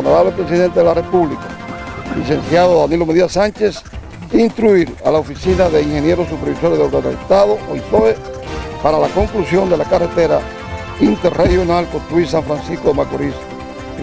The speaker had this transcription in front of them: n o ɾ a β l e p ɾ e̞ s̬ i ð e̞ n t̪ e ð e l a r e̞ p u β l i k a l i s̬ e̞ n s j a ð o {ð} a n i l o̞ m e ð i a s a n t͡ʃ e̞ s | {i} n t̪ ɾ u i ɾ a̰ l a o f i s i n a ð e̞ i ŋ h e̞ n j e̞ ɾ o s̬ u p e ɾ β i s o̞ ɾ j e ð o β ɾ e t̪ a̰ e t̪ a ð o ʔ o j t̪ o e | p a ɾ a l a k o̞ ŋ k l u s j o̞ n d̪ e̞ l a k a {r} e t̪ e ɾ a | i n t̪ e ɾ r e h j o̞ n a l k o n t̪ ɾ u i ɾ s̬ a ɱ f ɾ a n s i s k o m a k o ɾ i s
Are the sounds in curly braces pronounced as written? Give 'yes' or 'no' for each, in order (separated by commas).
yes, yes, yes